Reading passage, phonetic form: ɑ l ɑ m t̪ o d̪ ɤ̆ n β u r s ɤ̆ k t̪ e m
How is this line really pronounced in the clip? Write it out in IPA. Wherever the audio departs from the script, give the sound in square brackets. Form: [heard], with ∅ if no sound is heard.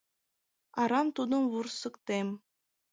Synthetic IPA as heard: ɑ [ɾ] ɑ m t̪ [u] d̪ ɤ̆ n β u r s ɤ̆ k t̪ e m